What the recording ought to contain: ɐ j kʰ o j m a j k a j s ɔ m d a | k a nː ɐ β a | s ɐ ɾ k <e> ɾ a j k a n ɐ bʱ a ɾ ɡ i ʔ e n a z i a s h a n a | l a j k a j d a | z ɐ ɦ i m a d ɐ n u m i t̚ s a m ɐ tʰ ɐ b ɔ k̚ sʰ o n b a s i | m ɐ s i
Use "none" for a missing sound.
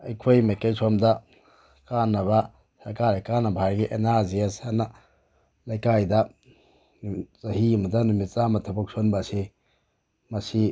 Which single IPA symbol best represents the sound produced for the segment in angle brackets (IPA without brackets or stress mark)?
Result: a